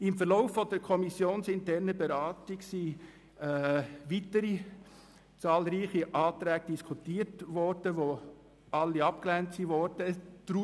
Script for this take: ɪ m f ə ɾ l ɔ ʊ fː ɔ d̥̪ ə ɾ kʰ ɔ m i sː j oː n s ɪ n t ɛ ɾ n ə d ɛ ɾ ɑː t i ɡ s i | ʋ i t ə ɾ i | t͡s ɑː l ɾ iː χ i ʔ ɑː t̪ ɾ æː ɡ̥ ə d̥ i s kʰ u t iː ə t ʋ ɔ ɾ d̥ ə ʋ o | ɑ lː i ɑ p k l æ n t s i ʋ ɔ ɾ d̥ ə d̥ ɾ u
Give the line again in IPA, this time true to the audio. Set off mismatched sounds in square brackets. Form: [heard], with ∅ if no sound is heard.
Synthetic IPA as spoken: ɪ m f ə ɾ l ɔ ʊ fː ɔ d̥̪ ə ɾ kʰ ɔ m i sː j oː n s ɪ n t ɛ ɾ n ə [b] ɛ ɾ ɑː t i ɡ s i | ʋ i t ə ɾ i | t͡s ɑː l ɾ iː χ i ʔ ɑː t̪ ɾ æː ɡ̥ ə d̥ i s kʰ u t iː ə t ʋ ɔ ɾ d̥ ə ʋ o | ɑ lː i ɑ p k l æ n t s i ʋ ɔ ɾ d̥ ə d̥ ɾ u